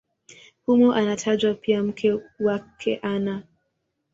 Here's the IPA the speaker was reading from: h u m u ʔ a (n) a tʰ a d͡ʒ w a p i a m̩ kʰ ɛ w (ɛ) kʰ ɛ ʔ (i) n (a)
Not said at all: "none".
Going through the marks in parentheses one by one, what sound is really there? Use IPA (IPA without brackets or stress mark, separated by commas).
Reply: n, a, a, a